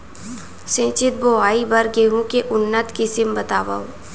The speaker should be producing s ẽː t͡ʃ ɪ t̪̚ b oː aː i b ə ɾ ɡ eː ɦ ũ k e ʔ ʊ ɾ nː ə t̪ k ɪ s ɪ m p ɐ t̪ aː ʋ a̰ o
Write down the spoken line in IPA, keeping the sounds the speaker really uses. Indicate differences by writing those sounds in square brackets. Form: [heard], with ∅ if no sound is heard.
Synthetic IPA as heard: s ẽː t͡ʃ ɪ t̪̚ b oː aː i b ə ɾ ɡ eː ɦ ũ k e ʔ ʊ [∅] nː ə t̪ k ɪ s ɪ m [b] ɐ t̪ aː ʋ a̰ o